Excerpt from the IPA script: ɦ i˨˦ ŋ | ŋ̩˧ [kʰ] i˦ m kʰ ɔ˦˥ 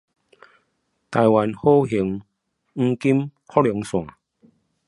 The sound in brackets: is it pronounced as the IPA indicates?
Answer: no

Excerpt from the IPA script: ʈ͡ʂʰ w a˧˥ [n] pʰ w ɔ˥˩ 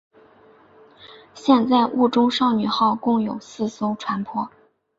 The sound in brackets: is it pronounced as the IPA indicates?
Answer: yes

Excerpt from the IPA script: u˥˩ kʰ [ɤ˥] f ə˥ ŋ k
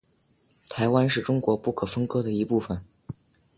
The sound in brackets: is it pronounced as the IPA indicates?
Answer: no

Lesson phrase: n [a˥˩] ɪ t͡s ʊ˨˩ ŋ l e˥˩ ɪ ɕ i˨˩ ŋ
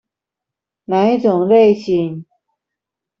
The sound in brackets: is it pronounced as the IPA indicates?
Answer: no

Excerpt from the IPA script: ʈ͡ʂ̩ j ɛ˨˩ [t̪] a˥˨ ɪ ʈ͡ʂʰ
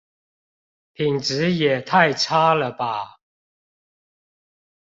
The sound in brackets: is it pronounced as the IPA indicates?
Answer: no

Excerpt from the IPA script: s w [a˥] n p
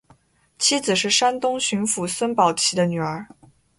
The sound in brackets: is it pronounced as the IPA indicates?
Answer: no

